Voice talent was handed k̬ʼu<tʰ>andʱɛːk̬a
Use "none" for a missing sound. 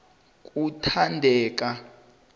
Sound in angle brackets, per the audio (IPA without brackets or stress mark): tʰ